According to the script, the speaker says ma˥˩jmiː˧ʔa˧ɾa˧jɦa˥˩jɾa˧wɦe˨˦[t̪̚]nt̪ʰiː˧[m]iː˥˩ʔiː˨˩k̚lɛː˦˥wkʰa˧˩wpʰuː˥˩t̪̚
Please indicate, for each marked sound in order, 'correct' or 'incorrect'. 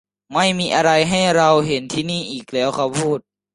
incorrect: none, incorrect: n

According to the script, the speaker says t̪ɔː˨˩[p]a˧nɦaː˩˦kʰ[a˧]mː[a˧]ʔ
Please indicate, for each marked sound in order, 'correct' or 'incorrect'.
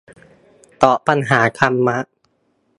correct, correct, incorrect: a˦˥

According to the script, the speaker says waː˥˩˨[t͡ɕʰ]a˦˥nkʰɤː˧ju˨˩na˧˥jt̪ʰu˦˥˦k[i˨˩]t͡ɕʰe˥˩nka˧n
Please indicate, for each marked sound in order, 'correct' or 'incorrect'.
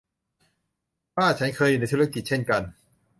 correct, correct

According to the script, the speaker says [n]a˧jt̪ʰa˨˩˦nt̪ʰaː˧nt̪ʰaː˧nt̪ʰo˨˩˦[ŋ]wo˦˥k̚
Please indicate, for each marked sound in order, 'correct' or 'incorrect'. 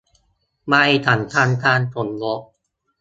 incorrect: m, incorrect: n

